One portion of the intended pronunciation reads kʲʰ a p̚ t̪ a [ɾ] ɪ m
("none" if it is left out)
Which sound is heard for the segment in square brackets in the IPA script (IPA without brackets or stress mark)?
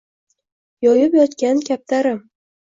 ɾ